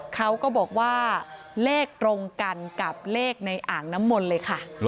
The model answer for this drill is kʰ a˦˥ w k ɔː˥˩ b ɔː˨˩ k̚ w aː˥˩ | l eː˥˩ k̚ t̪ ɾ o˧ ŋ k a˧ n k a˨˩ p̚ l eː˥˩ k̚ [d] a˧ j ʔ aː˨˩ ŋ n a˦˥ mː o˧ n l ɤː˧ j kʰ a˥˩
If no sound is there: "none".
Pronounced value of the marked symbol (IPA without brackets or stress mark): n